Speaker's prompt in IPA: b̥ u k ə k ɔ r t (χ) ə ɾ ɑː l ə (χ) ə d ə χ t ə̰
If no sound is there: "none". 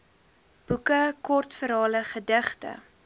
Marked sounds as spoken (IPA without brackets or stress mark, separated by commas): f, χ